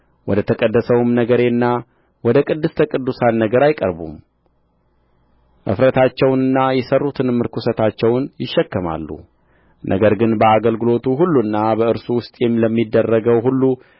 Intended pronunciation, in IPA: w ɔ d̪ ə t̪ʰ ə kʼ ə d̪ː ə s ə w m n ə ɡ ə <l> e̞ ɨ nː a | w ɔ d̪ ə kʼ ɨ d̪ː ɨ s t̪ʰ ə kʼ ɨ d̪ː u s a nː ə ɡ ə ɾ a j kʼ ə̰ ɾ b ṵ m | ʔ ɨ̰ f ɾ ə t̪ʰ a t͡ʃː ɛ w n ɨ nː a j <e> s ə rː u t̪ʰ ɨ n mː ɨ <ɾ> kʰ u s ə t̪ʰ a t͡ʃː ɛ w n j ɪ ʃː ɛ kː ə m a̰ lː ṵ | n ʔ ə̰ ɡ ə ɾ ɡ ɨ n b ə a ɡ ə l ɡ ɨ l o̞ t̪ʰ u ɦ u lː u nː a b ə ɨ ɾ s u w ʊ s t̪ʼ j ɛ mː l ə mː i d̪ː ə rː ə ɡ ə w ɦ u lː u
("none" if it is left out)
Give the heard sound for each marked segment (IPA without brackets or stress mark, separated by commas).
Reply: ɾ, ɛ, ɾ